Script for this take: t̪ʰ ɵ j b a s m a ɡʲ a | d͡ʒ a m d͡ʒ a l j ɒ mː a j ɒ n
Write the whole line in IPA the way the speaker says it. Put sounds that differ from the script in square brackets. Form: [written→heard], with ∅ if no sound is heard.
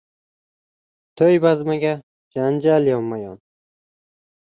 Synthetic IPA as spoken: t̪ʰ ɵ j b a [s→z] m a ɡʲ a | d͡ʒ a [m→n] d͡ʒ a l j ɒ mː a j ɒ n